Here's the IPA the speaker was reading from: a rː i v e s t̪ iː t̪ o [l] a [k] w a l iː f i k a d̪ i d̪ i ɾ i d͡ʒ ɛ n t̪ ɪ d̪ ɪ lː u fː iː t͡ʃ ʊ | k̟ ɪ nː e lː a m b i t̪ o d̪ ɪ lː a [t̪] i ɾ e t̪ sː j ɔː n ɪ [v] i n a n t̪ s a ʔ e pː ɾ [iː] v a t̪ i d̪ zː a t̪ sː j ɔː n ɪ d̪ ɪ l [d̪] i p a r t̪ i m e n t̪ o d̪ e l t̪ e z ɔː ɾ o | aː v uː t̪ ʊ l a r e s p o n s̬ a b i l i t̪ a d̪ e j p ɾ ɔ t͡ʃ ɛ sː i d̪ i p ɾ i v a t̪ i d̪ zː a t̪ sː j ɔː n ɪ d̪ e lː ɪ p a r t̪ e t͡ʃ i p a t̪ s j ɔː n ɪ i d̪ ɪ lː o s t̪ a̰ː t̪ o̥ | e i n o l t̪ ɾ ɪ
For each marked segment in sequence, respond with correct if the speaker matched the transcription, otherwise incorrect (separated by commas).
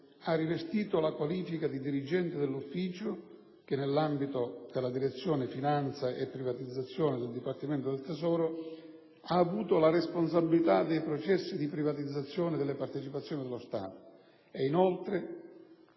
correct, correct, incorrect, incorrect, incorrect, correct